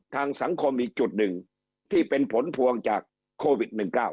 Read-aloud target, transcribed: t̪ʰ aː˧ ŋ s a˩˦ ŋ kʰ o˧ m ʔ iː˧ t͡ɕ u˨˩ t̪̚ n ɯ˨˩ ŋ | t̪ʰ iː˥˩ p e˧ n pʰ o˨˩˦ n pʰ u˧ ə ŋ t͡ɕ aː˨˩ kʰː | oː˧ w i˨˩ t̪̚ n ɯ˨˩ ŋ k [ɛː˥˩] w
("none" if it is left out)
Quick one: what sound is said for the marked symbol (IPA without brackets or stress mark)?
aː˥˩